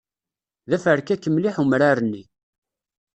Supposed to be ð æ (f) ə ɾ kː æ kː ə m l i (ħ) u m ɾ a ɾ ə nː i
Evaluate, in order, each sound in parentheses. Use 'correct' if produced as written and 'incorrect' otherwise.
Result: correct, correct

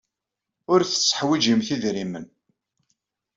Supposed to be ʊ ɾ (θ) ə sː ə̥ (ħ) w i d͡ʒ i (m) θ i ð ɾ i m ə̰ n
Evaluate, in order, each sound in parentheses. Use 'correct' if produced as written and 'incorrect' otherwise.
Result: correct, correct, correct

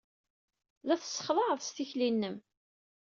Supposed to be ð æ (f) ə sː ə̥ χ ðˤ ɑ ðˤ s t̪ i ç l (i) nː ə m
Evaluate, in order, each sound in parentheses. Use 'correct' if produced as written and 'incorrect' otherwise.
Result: incorrect, correct

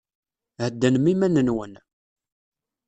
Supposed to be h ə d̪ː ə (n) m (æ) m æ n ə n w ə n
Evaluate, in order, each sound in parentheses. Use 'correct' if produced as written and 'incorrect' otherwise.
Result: correct, incorrect

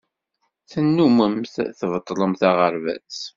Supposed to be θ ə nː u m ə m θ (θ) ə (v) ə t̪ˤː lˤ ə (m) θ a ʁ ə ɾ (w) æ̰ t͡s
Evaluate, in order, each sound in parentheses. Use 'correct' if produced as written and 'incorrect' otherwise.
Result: correct, correct, correct, incorrect

